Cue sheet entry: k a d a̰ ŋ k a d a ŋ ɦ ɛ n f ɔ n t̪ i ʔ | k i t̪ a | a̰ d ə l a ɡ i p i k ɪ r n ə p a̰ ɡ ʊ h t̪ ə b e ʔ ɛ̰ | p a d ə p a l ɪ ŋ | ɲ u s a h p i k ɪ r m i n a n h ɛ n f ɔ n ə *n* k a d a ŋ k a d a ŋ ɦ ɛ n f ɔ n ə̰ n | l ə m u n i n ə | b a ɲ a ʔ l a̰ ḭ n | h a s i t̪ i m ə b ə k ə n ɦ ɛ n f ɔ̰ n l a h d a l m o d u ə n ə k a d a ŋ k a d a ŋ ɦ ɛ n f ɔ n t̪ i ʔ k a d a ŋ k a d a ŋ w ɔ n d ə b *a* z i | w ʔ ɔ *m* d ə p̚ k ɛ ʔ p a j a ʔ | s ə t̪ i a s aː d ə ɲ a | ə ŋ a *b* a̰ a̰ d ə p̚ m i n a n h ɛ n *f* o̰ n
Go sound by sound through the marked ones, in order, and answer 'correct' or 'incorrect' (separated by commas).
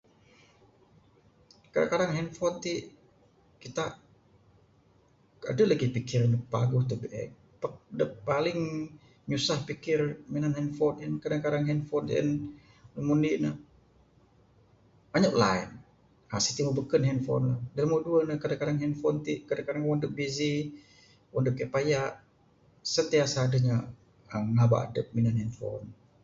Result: correct, incorrect, incorrect, correct, correct